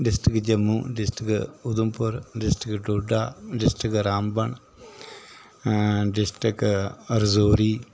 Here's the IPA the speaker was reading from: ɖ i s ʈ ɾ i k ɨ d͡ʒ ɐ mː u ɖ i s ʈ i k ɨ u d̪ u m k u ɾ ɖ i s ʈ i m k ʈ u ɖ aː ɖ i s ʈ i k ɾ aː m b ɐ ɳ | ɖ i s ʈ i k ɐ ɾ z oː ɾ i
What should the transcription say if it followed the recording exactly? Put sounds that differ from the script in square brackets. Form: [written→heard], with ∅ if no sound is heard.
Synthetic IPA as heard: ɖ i s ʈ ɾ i k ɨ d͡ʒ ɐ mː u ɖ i s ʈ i k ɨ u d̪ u m [k→p] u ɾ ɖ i s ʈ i [m→∅] k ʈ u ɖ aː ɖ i s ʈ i k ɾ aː m b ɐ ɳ | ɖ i s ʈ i k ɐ ɾ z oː ɾ i

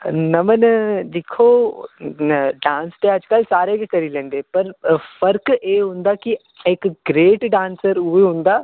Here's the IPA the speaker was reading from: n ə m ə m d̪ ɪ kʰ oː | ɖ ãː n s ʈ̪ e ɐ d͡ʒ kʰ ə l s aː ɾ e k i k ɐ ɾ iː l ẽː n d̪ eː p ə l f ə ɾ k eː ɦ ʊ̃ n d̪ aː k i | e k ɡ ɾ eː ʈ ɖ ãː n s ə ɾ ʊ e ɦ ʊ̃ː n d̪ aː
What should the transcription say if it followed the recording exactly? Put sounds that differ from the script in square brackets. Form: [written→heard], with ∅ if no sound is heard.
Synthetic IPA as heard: n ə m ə [m→n] d̪ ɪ kʰ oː | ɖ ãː n s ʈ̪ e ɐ d͡ʒ [kʰ→k] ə l s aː ɾ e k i k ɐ ɾ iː l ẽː n d̪ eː p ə [l→ɾ] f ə ɾ k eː ɦ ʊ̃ n d̪ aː k i | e k ɡ ɾ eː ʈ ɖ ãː n s ə ɾ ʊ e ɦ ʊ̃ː n d̪ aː

